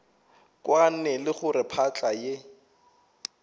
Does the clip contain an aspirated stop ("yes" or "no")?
yes